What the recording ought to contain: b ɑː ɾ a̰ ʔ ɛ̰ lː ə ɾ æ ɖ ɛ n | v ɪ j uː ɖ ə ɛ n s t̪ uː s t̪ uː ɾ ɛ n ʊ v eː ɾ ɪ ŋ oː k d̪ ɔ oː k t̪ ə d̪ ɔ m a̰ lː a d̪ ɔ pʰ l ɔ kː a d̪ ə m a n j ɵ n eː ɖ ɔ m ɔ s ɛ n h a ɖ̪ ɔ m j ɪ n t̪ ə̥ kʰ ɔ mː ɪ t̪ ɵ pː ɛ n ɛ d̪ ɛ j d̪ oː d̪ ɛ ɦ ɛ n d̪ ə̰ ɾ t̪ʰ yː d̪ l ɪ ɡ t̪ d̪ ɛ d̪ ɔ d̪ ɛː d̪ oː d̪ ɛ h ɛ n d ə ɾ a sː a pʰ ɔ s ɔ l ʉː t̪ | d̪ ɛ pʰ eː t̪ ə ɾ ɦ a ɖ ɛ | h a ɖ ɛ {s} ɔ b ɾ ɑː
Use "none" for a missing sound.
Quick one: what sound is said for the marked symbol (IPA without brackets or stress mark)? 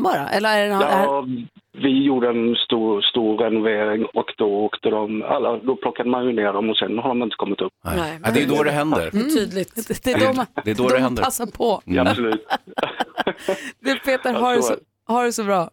s